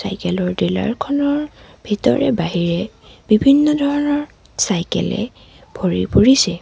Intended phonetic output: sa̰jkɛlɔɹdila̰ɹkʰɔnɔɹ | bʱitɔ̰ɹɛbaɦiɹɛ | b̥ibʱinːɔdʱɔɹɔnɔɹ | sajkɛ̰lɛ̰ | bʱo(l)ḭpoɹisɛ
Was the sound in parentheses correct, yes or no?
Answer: no